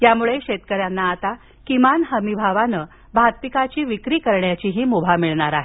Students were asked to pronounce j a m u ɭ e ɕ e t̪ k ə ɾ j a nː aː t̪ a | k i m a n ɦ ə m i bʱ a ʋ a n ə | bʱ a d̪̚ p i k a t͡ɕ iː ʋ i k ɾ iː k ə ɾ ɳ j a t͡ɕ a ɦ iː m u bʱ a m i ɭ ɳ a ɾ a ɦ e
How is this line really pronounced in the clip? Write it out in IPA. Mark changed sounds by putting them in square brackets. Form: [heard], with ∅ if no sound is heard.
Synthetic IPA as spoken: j a m u ɭ e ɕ e t̪ k ə ɾ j a nː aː t̪ a | k i m a n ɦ ə m i bʱ a ʋ a n ə | bʱ a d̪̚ p i k a t͡ɕ iː ʋ i k ɾ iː k ə ɾ ɳ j a t͡ɕ [i] ɦ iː m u bʱ a m i ɭ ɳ a ɾ a ɦ e